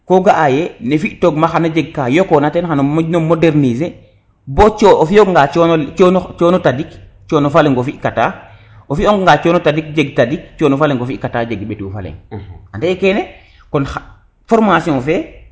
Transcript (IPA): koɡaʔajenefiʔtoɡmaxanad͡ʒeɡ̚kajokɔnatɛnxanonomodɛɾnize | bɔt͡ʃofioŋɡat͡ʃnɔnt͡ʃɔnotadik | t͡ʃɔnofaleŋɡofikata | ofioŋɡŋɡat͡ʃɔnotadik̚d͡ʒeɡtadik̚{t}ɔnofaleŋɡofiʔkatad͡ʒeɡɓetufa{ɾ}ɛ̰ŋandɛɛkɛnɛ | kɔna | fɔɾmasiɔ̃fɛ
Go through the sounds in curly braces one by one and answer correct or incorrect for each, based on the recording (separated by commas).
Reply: incorrect, incorrect